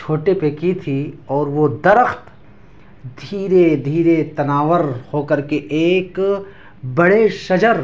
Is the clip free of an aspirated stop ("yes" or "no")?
no